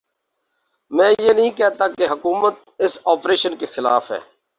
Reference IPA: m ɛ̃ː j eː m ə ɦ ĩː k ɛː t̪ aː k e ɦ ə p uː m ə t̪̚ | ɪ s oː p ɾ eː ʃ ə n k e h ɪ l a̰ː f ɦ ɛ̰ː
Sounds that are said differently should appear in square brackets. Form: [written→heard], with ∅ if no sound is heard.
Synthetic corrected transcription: m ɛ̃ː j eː [m→n] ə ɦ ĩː k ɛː t̪ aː k e ɦ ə [p→k] uː m ə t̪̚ | ɪ s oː p ɾ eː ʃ ə n k e [h→x] ɪ l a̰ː f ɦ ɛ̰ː